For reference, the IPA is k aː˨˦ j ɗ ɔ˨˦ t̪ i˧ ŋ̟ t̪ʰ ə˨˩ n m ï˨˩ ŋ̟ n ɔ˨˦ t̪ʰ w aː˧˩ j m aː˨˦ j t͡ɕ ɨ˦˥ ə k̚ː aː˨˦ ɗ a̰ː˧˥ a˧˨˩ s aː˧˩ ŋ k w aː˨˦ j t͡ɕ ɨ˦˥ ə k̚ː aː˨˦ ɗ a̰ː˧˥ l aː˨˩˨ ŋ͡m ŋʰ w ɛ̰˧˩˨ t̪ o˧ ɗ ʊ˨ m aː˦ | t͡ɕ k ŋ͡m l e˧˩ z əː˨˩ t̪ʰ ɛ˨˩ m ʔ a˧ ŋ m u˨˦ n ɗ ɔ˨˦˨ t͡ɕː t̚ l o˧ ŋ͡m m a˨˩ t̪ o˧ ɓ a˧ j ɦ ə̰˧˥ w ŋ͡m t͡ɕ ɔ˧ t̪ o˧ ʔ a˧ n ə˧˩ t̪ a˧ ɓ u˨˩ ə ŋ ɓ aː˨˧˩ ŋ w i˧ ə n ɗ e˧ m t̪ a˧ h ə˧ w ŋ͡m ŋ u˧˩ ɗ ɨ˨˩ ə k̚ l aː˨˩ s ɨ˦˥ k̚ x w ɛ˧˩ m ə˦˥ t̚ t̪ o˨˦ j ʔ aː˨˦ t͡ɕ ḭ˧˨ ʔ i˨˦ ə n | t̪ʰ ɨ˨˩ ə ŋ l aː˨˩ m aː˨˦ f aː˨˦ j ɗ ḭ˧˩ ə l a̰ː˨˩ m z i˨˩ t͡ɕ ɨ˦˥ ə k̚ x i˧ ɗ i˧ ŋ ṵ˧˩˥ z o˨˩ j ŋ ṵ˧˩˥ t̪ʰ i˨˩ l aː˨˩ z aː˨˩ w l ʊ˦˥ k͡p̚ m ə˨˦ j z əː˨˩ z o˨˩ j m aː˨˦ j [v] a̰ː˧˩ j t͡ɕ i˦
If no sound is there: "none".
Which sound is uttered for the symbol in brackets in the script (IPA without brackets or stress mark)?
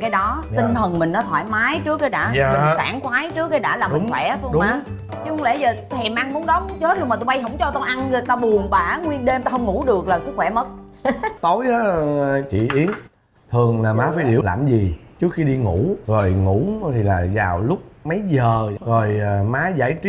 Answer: z